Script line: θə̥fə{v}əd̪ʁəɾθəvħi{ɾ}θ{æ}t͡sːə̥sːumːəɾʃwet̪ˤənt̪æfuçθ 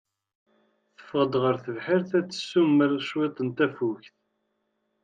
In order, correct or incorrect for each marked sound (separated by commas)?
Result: incorrect, correct, correct